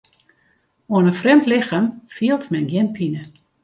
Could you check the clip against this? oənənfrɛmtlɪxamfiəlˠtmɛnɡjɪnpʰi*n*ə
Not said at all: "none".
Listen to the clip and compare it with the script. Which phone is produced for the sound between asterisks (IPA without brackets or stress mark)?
n